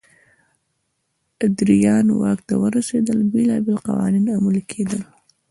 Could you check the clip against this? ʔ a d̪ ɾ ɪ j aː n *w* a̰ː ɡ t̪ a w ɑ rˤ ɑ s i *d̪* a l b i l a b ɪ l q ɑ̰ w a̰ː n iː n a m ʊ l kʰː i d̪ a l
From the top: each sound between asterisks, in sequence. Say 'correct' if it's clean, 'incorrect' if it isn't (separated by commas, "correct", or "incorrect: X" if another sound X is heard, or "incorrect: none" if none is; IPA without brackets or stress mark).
correct, correct